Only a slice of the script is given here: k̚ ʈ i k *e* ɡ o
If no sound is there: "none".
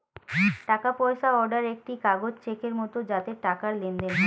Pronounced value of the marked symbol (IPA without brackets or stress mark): a